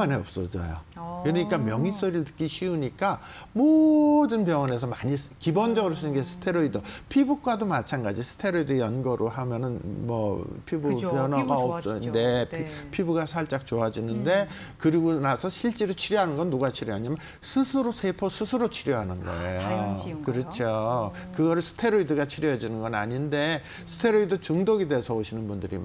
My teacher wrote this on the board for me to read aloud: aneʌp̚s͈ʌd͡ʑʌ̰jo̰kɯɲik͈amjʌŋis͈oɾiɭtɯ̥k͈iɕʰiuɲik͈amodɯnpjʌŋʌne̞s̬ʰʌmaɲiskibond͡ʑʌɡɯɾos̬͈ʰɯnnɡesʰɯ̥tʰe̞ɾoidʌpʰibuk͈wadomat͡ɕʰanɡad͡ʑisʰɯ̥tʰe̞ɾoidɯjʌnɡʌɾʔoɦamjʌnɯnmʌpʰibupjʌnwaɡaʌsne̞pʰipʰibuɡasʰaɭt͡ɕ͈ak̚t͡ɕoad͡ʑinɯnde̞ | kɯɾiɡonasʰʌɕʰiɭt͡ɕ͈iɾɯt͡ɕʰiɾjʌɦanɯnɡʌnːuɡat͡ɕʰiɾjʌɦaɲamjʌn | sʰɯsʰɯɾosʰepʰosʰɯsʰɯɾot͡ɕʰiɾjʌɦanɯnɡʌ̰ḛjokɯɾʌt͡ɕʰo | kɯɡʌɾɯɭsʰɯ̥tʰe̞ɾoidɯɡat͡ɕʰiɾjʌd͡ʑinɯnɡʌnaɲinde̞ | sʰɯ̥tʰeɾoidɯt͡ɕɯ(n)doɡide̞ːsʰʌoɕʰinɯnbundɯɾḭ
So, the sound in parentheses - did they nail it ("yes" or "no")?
no